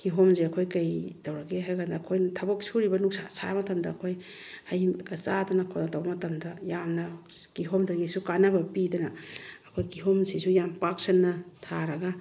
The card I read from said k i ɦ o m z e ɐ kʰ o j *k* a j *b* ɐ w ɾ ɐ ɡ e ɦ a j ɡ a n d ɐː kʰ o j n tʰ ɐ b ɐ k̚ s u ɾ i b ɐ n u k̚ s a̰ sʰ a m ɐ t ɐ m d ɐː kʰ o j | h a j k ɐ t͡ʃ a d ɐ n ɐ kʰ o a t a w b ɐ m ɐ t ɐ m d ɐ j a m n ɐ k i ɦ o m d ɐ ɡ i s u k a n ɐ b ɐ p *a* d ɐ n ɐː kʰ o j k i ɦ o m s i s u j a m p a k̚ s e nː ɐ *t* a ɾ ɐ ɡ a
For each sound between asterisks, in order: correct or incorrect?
correct, incorrect, incorrect, incorrect

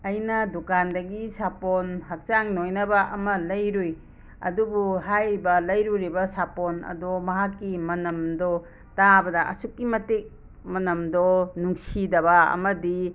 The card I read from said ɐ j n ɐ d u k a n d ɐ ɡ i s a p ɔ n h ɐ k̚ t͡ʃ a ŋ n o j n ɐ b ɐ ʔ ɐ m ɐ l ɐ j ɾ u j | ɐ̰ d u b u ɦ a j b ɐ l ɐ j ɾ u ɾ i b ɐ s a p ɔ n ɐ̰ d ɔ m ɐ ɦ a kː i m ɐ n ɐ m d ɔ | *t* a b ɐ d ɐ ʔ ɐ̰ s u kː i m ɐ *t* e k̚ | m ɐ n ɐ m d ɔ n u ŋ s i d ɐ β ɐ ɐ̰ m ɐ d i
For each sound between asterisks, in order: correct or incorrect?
correct, correct

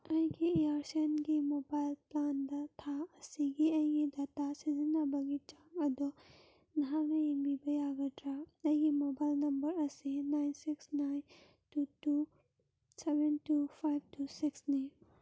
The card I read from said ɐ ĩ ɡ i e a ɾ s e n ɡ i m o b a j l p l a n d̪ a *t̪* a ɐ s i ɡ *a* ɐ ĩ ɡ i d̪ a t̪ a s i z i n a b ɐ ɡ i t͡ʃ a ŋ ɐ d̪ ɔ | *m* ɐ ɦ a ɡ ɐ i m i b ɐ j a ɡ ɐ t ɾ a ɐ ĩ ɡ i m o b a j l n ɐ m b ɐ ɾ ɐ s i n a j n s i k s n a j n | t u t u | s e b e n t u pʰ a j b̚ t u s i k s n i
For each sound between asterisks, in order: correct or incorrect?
incorrect, incorrect, incorrect

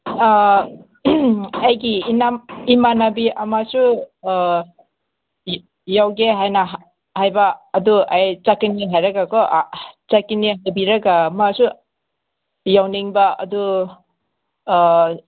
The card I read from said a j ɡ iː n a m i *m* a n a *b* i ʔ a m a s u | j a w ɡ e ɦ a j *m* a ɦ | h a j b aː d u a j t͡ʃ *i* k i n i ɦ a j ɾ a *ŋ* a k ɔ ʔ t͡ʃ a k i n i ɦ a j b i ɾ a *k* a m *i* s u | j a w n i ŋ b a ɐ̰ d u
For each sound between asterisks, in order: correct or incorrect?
correct, correct, incorrect, incorrect, incorrect, incorrect, incorrect

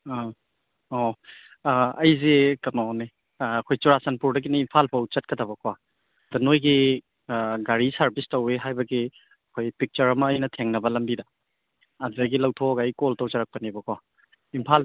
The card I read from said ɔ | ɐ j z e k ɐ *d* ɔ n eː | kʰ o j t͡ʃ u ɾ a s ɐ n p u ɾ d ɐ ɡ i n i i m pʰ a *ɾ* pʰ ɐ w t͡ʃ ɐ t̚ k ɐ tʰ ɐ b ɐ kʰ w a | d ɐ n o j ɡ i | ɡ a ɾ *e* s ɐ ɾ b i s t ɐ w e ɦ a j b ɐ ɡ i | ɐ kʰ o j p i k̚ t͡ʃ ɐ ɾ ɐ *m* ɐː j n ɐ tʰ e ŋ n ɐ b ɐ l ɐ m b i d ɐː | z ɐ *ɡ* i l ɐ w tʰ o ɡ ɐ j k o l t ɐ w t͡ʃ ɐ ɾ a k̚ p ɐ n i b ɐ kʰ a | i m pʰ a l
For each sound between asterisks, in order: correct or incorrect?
incorrect, incorrect, incorrect, correct, correct

